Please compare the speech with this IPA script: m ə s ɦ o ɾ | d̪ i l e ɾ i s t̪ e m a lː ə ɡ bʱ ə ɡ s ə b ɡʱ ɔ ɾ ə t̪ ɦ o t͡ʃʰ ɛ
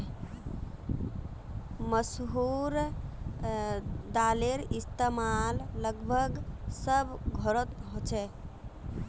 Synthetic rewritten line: m ə s ɦ u ɾ | d̪ a l e ɾ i s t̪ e m a lː ə ɡ bʱ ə ɡ s ə b ɡʱ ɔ ɾ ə t̪ ɦ o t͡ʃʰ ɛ